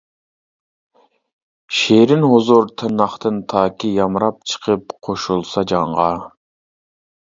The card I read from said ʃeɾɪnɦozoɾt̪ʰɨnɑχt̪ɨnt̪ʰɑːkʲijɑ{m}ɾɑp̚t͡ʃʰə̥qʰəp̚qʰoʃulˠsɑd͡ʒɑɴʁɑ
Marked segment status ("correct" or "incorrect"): correct